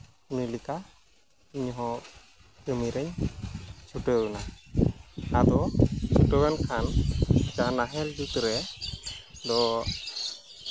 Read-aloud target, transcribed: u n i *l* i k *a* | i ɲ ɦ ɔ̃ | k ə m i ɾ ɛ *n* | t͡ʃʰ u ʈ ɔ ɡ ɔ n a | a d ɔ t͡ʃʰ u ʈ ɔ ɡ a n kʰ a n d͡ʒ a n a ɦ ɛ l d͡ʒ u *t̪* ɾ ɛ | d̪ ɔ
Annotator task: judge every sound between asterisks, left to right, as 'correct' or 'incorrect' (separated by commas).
correct, correct, incorrect, correct